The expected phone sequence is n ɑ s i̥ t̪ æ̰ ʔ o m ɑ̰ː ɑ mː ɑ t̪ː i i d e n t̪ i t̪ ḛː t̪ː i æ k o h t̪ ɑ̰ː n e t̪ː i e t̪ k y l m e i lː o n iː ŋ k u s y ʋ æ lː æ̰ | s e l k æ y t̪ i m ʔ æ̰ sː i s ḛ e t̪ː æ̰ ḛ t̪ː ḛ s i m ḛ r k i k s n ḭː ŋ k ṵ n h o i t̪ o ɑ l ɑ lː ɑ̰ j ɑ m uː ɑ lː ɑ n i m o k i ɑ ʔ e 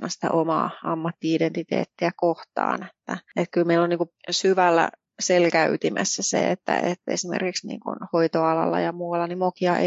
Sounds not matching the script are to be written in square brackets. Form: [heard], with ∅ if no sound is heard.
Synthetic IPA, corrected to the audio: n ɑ s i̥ t̪ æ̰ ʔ o m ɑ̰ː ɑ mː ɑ t̪ː i i d e n t̪ i t̪ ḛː t̪ː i æ k o h t̪ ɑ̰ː n e t̪ː [æ] e t̪ k y l m e i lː o n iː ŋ k u s y ʋ æ lː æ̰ | s e l k æ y t̪ i m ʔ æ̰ sː [æ] s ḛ e t̪ː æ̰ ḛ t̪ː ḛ s i m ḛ r k i k s n ḭː ŋ k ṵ n h o i t̪ o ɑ l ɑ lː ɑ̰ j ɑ m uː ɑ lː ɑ n i m o k i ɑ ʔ e